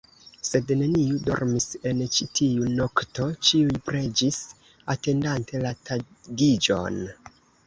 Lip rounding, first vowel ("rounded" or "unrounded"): unrounded